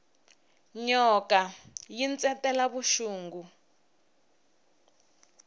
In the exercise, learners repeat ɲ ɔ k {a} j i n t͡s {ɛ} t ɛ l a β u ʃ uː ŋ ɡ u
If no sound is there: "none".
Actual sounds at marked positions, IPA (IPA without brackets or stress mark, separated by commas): a, ɛ